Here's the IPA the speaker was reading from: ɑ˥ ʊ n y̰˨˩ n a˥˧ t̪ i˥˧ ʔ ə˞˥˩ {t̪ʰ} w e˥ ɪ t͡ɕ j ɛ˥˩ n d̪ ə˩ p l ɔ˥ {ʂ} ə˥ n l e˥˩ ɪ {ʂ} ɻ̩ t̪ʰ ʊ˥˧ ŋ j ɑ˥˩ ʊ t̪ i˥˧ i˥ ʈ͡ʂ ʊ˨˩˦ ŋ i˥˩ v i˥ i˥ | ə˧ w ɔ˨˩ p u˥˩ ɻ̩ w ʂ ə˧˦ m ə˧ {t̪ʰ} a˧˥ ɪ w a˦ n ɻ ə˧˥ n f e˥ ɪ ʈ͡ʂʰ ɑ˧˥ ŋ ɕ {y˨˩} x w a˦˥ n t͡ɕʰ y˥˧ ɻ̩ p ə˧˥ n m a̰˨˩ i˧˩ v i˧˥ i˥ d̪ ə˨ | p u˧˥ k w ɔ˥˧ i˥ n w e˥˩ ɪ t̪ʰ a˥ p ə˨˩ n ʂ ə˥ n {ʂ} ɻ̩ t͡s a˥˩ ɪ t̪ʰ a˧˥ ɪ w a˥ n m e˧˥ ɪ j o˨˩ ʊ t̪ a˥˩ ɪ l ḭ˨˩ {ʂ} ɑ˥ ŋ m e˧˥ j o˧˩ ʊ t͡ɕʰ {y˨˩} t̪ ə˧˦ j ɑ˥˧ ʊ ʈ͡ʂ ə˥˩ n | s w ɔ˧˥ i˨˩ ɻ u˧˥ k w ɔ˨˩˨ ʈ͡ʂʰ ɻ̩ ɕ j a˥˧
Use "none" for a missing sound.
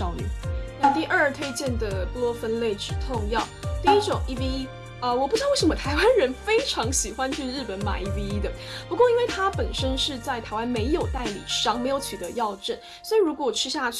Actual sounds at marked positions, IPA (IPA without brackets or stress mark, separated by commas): t̪ʰ, f, ʈ͡ʂ, t̪ʰ, i˨˩, ʂ, ʂ, y˨˩